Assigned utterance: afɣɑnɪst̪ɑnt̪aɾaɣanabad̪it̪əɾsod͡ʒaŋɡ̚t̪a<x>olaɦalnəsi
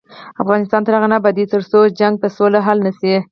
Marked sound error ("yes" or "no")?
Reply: yes